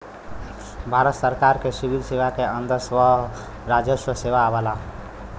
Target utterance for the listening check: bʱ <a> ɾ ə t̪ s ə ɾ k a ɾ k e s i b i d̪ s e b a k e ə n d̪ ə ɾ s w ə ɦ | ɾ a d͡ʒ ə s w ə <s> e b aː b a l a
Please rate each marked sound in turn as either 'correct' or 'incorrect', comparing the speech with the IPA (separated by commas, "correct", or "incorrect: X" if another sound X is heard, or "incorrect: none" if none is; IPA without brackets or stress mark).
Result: correct, correct